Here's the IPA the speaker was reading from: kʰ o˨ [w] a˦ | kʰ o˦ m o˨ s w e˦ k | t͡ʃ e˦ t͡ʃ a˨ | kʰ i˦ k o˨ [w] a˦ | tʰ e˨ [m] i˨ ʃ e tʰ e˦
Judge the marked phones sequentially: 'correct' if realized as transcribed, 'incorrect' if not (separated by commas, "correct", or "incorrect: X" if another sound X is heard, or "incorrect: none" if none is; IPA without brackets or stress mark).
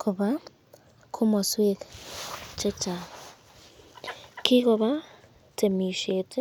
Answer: incorrect: β, incorrect: β, correct